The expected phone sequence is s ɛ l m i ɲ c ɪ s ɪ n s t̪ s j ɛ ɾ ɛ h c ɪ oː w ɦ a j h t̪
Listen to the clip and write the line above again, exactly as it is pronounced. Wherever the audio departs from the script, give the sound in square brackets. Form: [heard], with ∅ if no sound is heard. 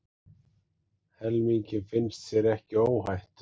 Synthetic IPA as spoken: [h] ɛ l m i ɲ c ɪ [f] ɪ n s t̪ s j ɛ ɾ ɛ h c ɪ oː w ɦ a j h t̪